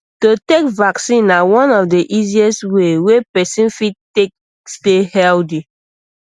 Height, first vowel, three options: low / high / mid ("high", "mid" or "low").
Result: mid